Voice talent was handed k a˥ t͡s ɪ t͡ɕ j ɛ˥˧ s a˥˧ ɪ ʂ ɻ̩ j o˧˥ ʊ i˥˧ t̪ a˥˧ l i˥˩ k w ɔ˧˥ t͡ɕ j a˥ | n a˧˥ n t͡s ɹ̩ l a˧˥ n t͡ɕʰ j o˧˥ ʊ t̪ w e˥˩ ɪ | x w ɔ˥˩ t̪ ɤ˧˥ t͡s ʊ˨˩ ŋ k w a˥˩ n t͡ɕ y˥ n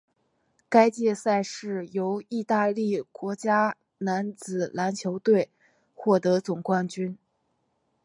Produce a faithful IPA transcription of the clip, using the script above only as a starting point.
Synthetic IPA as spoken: k a˥ ɪ t͡ɕ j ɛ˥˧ s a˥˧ ɪ ʂ ɻ̩ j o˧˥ ʊ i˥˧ t̪ a˥˧ l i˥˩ k w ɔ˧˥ t͡ɕ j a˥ | n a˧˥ n t͡s ɹ̩ l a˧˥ n t͡ɕʰ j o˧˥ ʊ t̪ w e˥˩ ɪ | x w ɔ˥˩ t̪ ɤ˧˥ t͡s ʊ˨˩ ŋ k w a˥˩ n t͡ɕ y˥ n